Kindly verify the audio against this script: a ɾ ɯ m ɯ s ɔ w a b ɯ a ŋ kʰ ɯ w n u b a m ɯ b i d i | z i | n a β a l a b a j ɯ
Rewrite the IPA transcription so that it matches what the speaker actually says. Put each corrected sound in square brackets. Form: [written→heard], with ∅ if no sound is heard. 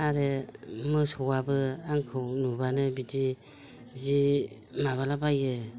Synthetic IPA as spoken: a ɾ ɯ m ɯ s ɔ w a b ɯ a ŋ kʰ ɯ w n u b a [m→n] ɯ b i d i | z i | [n→m] a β a l a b a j ɯ